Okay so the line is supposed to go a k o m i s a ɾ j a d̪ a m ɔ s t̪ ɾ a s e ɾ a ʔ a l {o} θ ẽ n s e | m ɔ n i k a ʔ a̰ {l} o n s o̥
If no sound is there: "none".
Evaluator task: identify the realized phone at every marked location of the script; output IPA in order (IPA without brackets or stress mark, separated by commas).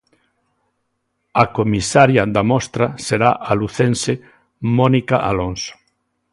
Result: u, l